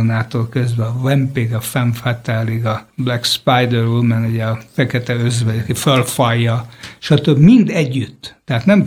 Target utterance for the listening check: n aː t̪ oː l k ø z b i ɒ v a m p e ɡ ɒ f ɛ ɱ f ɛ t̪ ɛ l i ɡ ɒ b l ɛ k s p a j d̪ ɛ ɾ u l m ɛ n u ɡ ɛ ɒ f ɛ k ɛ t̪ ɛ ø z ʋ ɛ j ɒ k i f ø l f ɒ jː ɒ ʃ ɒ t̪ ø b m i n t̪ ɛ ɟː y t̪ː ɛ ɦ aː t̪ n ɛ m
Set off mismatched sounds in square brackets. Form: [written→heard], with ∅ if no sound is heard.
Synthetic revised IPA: n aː t̪ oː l k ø z b [i→ɛ] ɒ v [a→ɛ] m p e ɡ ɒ f ɛ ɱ f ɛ t̪ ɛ l i ɡ ɒ b l ɛ k s p a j d̪ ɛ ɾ u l m ɛ n u [ɡ→ɟ] ɛ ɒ f ɛ k ɛ t̪ ɛ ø z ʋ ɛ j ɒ k i f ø l f ɒ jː ɒ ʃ ɒ t̪ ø b m i n [t̪→d̪] ɛ ɟː y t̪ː ɛ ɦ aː t̪ n ɛ m